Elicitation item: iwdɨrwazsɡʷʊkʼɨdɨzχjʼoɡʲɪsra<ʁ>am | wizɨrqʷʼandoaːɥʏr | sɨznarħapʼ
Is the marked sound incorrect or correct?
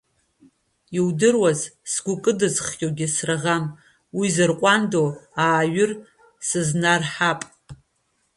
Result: correct